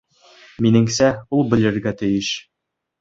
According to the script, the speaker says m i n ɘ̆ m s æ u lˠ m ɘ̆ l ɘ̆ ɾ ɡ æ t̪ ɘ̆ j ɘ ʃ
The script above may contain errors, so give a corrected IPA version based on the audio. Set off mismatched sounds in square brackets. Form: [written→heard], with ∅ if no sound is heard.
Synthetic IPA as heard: m i n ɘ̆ [m→ŋ] s æ u lˠ [m→b] ɘ̆ l ɘ̆ ɾ ɡ æ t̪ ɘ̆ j ɘ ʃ